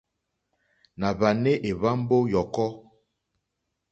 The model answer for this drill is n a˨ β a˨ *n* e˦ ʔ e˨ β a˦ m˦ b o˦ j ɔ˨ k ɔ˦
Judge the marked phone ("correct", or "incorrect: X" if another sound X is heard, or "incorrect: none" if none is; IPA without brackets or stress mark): correct